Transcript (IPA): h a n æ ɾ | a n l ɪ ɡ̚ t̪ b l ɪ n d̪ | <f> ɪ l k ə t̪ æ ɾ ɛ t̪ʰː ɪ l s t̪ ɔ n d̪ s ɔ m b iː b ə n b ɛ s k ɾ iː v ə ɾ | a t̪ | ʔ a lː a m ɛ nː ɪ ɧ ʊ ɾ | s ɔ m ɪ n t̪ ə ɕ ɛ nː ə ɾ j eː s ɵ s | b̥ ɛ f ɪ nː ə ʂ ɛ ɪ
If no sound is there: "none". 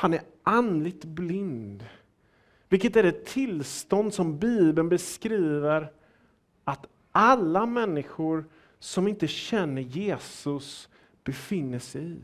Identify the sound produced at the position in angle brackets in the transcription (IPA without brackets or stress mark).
v